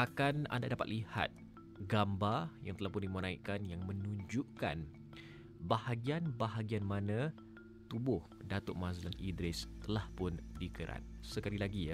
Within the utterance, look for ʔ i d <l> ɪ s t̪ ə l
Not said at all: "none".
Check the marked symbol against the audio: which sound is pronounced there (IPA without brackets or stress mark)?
ɾ